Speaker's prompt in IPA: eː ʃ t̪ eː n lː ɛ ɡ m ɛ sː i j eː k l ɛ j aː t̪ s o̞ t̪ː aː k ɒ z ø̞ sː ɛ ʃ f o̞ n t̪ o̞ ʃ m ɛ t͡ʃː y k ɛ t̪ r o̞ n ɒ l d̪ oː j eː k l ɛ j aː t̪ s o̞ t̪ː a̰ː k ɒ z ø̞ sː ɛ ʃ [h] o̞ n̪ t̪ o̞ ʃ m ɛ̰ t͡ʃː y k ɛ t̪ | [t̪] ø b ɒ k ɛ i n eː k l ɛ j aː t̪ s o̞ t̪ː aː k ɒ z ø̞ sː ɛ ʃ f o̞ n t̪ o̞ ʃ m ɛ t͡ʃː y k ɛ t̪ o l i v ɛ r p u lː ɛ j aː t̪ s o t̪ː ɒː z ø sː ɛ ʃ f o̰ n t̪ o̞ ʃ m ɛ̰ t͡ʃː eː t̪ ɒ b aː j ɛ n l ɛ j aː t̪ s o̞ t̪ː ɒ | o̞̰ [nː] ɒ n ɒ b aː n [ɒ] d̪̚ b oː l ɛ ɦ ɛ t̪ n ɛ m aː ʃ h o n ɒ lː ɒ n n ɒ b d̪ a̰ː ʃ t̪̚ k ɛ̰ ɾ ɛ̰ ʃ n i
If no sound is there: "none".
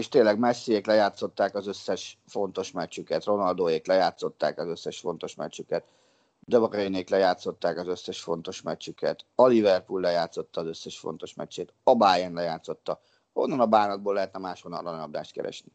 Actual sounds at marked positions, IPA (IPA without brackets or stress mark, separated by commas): f, d̪, nː, ɒ